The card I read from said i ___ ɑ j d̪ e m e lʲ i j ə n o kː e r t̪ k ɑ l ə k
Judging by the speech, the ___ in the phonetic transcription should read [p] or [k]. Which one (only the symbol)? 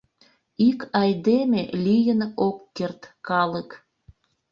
k